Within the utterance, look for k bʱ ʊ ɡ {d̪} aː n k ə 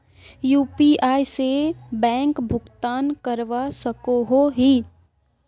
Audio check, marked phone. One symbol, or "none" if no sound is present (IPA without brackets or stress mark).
t̪